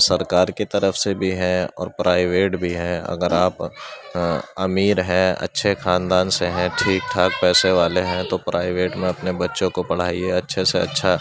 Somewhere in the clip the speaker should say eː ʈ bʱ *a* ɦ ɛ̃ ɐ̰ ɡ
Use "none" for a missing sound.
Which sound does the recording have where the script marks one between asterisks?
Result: i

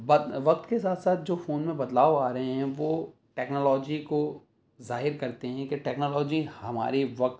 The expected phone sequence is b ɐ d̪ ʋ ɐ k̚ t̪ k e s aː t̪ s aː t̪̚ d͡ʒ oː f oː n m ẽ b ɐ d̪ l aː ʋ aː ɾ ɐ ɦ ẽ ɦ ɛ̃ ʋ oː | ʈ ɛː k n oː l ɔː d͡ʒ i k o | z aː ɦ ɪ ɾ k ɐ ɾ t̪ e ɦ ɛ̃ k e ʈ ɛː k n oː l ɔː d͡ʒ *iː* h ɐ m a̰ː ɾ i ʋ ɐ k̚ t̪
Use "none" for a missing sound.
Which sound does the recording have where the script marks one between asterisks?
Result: i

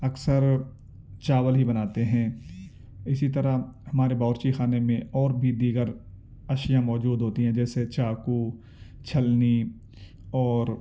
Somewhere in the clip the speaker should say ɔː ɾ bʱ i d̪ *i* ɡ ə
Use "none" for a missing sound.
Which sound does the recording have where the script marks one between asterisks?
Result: iː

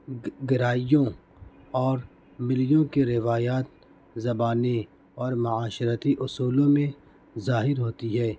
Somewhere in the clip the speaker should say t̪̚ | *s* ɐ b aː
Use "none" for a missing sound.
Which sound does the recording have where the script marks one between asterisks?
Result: z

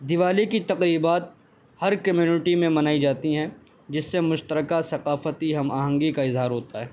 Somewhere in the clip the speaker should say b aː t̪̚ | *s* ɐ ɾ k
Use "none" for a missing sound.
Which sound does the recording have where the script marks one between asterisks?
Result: h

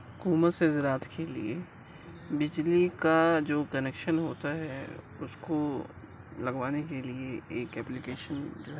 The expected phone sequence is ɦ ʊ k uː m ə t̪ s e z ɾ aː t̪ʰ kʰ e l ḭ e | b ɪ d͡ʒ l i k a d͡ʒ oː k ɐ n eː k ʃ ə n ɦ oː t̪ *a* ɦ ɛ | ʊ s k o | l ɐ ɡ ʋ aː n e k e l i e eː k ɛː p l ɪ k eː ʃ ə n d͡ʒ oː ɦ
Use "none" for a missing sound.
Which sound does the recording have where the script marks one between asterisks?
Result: a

